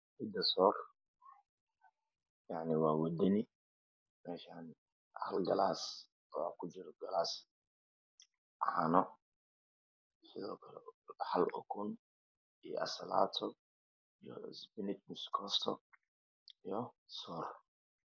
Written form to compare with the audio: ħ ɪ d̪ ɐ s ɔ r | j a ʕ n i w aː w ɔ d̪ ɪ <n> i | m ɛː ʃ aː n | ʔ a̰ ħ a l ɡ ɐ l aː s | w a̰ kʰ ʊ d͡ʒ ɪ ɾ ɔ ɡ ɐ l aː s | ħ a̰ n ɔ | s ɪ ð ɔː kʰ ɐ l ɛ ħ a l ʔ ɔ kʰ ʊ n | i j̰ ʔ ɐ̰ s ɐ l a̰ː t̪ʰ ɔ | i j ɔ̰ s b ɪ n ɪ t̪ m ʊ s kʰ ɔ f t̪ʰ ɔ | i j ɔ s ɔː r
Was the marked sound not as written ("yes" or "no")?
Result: no